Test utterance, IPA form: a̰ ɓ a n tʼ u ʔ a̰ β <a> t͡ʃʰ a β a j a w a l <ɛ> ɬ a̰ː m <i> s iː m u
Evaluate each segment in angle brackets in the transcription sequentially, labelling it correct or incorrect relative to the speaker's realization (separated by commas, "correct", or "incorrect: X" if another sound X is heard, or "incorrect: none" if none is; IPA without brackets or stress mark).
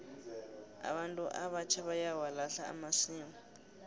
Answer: correct, incorrect: a, incorrect: a